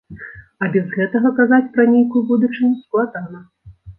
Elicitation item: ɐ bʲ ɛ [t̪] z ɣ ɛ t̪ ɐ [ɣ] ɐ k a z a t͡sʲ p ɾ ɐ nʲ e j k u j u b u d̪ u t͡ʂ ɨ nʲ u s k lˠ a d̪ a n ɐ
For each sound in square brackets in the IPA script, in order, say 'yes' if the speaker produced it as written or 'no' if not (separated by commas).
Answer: no, yes